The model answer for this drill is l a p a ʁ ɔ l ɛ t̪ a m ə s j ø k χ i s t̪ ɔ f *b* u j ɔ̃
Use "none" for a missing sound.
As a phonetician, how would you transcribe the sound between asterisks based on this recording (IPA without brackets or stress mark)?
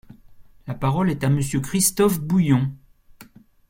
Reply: b